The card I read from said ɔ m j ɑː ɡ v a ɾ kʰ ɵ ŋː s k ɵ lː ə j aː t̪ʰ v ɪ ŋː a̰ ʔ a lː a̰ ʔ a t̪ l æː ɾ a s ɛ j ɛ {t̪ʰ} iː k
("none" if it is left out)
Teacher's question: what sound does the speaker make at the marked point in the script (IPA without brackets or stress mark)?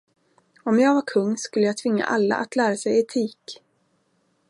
t̪ʰ